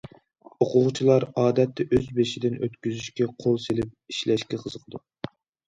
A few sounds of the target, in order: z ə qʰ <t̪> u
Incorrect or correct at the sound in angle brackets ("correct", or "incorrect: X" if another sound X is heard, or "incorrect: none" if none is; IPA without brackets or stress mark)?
incorrect: d̪